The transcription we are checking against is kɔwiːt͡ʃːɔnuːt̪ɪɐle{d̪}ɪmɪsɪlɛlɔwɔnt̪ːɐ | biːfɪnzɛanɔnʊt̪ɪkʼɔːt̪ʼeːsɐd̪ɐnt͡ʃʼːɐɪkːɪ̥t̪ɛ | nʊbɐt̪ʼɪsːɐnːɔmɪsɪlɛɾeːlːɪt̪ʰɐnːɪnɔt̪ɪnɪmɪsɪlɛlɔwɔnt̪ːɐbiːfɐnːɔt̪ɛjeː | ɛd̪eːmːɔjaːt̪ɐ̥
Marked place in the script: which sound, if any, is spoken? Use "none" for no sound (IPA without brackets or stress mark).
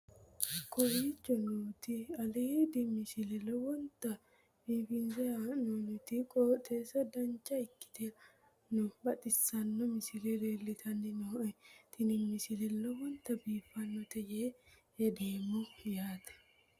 d̪